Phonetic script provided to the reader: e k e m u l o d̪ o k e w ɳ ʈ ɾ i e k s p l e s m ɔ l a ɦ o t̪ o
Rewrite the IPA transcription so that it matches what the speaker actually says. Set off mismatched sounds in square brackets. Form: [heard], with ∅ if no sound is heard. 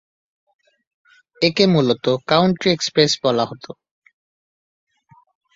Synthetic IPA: e k e m u l o [t̪] o k [a] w ɳ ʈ ɾ i e k s p [ɾ] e s [b] ɔ l a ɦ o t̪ o